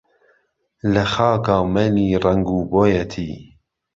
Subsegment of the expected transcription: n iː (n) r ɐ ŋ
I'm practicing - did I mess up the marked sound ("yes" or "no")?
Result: yes